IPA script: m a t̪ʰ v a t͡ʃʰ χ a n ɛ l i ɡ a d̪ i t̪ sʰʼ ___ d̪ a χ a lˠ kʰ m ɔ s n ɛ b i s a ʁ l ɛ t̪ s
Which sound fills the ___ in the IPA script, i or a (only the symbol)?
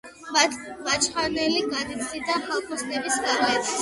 i